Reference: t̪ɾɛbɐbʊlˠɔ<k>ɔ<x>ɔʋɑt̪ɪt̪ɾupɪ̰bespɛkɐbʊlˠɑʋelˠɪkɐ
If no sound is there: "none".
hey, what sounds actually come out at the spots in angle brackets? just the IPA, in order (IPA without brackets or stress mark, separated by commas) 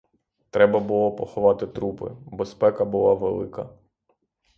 p, x